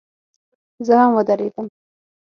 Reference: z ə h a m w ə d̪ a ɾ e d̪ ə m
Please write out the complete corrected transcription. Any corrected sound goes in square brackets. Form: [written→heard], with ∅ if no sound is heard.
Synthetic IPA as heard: z ə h a m w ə d̪ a ɾ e d̪ ə m